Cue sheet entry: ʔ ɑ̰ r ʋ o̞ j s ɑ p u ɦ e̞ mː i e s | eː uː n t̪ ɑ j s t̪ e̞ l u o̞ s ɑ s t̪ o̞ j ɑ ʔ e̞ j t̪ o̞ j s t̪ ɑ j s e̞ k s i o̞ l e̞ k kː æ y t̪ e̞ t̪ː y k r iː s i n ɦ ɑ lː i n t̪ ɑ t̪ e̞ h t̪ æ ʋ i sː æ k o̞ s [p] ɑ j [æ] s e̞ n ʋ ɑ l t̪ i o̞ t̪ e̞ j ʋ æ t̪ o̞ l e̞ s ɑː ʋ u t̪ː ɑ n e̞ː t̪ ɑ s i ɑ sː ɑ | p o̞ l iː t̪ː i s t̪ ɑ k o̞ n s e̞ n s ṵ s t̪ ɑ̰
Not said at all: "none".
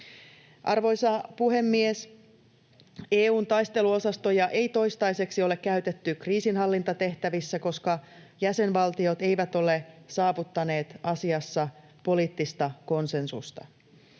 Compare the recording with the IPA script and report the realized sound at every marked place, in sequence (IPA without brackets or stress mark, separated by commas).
k, æ